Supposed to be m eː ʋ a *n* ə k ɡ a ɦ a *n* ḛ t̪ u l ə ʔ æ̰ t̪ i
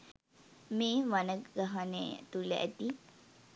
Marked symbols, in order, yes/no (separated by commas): yes, yes